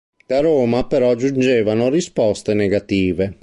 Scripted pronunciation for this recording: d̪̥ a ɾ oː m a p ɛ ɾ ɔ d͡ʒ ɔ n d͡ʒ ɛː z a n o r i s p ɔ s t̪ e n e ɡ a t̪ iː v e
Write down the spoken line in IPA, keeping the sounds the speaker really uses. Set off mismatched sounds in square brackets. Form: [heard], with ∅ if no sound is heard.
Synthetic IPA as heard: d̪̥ a ɾ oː m a p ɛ ɾ ɔ d͡ʒ [u] n d͡ʒ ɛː [v] a n o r i s p ɔ s t̪ e n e ɡ a t̪ iː v e

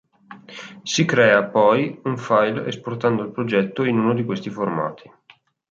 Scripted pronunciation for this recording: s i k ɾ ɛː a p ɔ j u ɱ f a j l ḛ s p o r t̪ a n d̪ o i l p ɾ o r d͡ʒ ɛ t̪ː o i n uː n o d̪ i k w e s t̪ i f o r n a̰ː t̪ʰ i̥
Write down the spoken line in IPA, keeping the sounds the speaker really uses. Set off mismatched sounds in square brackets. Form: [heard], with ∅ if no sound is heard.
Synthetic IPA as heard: s i k ɾ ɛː a p ɔ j u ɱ f a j l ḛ s p o r t̪ a n d̪ o i l p ɾ o [∅] d͡ʒ ɛ t̪ː o i n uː n o d̪ i k w e s t̪ i f o r [m] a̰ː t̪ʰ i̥

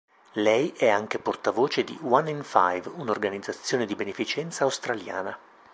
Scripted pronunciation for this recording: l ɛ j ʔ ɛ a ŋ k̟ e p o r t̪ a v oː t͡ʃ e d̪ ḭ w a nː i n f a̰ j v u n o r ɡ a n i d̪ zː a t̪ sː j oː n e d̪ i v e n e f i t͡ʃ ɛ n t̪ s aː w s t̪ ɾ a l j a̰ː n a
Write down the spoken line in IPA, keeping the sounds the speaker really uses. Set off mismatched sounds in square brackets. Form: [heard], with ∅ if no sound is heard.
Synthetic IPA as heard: l ɛ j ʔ ɛ a ŋ k̟ e p o r t̪ a v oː t͡ʃ e d̪ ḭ w a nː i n f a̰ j v u n o r ɡ a n i d̪ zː a t̪ sː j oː n e d̪ i [b] e n e f i t͡ʃ ɛ n t̪ s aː w s t̪ ɾ a l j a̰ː n a

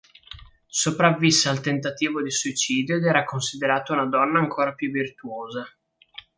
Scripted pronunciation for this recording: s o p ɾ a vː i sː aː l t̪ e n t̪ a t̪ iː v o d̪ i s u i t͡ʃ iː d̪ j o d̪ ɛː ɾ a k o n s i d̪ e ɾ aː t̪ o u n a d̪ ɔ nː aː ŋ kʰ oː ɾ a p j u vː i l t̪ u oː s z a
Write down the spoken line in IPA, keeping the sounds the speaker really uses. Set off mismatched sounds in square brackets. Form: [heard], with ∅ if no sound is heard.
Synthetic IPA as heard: s o p ɾ a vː i sː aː l t̪ e n t̪ a t̪ iː v o d̪ i s u i t͡ʃ iː d̪ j o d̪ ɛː ɾ a k o n s i d̪ e ɾ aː t̪ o u n a d̪ ɔ nː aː ŋ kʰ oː ɾ a p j u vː i [r] t̪ u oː [∅] z a

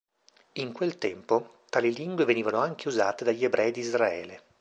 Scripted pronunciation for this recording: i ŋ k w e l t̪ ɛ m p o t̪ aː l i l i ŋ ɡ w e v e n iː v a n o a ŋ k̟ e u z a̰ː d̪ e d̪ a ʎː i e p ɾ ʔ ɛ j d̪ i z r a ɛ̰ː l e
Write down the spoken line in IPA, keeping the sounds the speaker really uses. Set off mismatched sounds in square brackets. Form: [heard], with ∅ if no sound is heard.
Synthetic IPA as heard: i ŋ k w e l t̪ ɛ m p o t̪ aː l i l i ŋ ɡ w e v e n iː v a n o a ŋ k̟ e u z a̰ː [t̪] e d̪ a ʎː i e [b] ɾ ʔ ɛ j d̪ i z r a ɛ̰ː l e

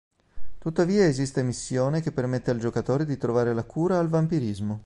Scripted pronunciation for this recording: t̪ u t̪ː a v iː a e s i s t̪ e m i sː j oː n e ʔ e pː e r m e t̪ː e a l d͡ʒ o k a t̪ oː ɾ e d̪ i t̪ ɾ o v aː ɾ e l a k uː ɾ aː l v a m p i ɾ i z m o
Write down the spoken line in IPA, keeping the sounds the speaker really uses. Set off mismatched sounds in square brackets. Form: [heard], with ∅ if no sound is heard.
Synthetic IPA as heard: t̪ u t̪ː a v iː a e [z] i s t̪ e m i sː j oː n e [k] e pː e r m e t̪ː e a l d͡ʒ o k a t̪ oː ɾ e d̪ i t̪ ɾ o v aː ɾ e l a k uː ɾ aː l v a m p i ɾ i z m o

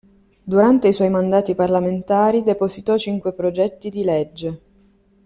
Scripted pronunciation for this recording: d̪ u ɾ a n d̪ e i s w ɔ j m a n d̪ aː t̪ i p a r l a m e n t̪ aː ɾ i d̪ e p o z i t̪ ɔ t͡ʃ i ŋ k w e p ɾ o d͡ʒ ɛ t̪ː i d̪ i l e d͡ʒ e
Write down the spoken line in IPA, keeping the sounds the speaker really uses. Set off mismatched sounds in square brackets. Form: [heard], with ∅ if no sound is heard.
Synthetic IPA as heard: d̪ u ɾ a n [t̪] e i s w ɔ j m a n d̪ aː t̪ i p a r l a m e n t̪ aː ɾ i d̪ e p o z i t̪ ɔ t͡ʃ i ŋ k w e p ɾ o d͡ʒ ɛ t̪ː i d̪ i l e [d͡ʒː] e

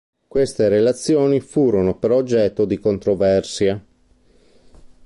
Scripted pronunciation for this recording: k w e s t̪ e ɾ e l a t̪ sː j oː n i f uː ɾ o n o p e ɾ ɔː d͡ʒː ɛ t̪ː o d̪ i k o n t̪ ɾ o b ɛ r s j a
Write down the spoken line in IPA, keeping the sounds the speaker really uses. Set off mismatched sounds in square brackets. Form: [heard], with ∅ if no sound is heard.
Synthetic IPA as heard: k w e s t̪ e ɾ e l a t̪ sː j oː n i f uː ɾ o n o p e ɾ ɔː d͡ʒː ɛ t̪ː o d̪ i k o n t̪ ɾ o [v] ɛ r s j a

